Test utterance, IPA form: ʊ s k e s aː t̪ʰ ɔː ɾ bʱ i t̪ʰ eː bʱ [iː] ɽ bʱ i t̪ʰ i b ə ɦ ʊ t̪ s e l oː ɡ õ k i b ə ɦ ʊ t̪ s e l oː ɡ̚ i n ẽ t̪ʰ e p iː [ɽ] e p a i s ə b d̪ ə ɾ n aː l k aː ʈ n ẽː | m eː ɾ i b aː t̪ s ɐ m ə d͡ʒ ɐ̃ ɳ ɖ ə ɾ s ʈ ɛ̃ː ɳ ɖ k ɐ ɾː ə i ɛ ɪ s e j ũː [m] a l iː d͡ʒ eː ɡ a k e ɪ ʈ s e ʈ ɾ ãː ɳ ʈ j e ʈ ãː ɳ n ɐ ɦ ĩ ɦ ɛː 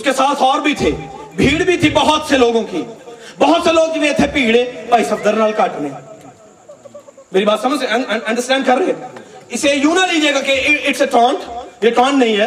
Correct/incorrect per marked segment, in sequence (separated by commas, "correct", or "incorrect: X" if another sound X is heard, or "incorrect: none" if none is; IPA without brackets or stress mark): correct, correct, incorrect: n